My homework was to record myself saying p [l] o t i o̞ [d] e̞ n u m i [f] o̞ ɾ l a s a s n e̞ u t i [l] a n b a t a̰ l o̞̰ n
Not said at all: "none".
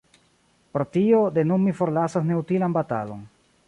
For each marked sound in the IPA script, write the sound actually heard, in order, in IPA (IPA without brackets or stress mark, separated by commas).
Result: ɾ, d, f, l